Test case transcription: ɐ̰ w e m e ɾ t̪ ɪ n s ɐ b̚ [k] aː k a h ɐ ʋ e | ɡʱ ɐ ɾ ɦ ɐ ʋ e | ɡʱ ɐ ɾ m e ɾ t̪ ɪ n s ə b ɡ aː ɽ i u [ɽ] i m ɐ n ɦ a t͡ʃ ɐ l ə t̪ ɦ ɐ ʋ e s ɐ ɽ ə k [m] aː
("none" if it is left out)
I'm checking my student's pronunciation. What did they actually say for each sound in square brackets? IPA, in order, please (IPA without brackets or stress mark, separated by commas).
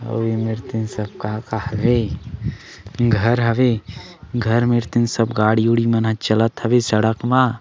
k, ɽ, m